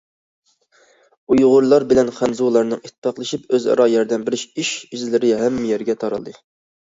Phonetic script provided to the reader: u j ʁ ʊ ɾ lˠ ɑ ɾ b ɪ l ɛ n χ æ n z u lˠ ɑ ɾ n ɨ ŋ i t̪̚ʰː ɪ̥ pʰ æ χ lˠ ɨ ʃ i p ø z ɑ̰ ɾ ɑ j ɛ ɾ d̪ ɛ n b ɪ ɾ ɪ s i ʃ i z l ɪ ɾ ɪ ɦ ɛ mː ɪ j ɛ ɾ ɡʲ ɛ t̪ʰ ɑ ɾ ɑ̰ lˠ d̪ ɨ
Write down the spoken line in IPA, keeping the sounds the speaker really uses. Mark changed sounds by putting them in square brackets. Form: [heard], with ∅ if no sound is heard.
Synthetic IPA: u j ʁ ʊ ɾ lˠ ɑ ɾ b ɪ l ɛ n χ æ n z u lˠ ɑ ɾ n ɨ ŋ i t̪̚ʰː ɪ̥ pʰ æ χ lˠ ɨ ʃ i p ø z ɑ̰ ɾ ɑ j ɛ ɾ d̪ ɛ n b ɪ ɾ ɪ [ʃ] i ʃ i z l ɪ ɾ ɪ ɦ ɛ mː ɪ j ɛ ɾ ɡʲ ɛ t̪ʰ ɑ ɾ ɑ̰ lˠ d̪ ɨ